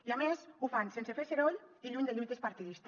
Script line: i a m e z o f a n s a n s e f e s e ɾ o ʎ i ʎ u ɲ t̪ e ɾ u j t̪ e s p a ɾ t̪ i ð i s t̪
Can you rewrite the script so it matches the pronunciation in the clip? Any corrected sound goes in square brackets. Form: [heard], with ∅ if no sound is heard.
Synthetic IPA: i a m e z [u] f a n s [e] n s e f e s e ɾ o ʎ i ʎ u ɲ [d̪] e [ʎ] u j t̪ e s p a ɾ t̪ i ð i s t̪